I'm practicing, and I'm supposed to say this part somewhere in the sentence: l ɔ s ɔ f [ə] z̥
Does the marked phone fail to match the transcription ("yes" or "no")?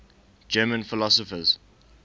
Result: no